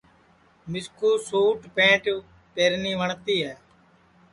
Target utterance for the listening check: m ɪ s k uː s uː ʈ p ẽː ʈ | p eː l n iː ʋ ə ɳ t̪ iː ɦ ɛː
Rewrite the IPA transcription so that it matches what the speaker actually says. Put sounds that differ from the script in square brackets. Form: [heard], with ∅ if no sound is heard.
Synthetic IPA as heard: m ɪ s k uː s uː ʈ p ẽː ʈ | p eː [ɾ] n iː ʋ ə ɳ t̪ iː ɦ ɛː